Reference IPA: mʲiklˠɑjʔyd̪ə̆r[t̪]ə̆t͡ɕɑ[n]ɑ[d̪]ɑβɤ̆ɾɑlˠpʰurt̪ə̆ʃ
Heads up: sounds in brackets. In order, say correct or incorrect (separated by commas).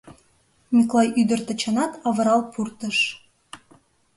correct, correct, incorrect